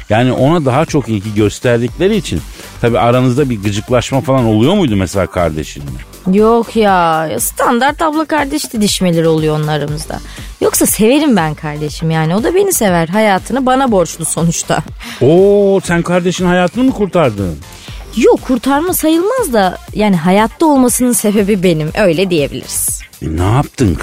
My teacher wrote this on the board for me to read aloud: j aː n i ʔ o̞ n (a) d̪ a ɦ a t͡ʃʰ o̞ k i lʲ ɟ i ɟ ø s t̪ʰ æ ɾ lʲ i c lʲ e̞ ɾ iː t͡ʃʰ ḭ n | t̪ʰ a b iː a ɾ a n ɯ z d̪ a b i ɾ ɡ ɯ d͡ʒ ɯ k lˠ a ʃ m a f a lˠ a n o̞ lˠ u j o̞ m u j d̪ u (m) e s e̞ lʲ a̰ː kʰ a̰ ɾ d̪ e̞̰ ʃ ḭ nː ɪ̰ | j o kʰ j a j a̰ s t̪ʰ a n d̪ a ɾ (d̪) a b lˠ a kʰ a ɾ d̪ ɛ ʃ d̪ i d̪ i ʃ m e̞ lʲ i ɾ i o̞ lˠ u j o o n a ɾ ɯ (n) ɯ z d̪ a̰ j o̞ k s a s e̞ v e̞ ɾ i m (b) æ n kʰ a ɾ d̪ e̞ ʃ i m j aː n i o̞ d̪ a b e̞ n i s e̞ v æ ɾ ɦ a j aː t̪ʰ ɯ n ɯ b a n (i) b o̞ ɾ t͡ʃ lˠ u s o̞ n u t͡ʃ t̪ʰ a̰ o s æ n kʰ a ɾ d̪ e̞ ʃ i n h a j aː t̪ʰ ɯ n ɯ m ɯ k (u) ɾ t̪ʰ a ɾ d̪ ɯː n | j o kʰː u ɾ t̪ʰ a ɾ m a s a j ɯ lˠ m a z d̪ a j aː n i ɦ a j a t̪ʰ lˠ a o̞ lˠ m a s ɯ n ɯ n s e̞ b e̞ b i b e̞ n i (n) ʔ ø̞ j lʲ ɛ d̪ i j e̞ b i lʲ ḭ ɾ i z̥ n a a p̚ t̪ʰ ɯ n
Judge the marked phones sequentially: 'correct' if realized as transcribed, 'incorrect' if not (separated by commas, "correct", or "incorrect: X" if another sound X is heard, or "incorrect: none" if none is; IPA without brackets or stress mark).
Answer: correct, correct, incorrect: t̪, incorrect: m, correct, incorrect: a, correct, incorrect: m